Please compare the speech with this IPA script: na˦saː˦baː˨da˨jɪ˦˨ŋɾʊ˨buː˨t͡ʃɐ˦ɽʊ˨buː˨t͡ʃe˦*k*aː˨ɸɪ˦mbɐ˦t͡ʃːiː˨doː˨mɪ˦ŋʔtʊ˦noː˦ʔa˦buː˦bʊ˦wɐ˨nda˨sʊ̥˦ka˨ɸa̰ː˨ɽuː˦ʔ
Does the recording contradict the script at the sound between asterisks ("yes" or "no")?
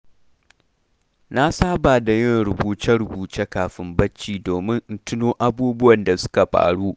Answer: no